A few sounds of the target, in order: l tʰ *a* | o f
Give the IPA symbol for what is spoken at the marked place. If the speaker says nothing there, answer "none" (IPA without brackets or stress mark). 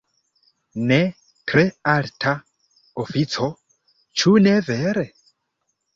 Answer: a